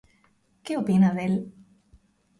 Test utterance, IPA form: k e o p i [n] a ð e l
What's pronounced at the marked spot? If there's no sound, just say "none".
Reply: n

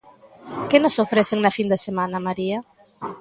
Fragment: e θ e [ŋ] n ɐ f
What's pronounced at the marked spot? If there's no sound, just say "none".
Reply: ŋ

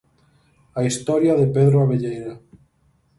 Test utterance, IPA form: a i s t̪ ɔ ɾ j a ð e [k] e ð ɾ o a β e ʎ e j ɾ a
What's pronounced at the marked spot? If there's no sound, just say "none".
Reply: p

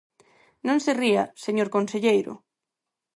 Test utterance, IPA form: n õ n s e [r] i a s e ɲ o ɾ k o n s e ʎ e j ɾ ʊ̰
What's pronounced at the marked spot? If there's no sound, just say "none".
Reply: r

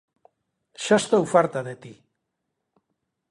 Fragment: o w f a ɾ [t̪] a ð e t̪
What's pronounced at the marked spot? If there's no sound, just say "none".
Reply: t̪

